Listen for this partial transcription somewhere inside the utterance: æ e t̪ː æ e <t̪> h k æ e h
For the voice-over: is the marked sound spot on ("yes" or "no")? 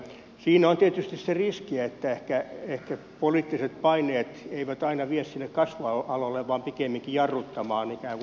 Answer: no